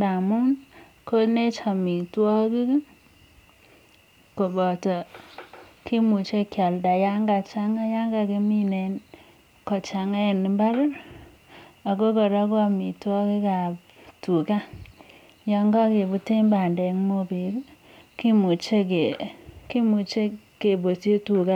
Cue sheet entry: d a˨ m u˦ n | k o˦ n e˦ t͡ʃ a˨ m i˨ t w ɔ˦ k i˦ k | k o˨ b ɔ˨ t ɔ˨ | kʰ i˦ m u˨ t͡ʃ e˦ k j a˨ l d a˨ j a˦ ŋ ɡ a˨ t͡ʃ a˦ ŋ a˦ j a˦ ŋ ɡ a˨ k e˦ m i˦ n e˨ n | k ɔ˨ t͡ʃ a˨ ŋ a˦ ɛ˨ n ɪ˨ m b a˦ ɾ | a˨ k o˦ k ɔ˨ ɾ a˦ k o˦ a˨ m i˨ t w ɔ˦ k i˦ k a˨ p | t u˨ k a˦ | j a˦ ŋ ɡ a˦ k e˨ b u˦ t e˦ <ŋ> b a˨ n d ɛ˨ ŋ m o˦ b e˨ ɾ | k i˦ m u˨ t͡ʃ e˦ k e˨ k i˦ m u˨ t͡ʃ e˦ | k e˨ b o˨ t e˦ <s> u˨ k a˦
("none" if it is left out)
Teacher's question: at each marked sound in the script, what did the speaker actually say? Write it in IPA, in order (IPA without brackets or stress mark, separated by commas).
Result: m, t